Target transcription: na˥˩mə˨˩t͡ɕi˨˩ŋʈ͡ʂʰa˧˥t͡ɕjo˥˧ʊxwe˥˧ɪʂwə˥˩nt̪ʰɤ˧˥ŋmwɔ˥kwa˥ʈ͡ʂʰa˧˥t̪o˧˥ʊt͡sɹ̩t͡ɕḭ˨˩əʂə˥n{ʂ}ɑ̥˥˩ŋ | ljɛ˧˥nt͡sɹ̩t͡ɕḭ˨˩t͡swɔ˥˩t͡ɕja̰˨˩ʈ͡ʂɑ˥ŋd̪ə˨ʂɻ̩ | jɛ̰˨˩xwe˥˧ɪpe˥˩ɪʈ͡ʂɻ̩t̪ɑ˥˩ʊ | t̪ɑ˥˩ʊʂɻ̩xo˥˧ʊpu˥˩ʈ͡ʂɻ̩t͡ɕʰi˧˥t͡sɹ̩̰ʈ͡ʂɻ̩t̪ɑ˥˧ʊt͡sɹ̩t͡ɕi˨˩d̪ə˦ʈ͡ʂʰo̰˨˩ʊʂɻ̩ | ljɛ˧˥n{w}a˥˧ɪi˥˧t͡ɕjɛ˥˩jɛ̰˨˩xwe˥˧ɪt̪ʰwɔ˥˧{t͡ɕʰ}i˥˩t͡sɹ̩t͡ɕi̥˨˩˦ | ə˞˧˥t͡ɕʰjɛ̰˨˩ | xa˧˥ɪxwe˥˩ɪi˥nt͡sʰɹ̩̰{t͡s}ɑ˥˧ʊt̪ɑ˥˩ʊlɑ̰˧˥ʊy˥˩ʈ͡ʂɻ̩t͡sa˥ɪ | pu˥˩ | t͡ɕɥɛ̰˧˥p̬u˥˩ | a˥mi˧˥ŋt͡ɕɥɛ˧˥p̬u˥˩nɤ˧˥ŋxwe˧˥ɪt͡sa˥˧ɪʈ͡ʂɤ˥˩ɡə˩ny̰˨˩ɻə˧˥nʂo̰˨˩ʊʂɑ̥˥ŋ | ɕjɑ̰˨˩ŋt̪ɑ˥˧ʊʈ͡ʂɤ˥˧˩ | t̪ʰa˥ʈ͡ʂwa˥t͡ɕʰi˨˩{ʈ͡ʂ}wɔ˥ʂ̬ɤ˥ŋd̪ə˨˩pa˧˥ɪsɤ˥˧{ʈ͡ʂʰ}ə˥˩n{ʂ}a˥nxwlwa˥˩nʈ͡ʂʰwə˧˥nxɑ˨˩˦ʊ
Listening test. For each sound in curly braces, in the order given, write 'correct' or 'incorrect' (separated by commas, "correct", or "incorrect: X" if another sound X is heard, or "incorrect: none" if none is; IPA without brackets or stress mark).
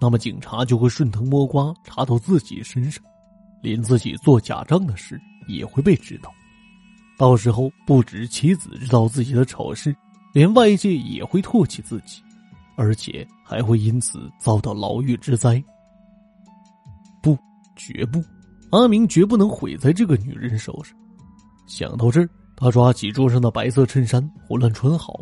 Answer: correct, correct, correct, correct, correct, correct, correct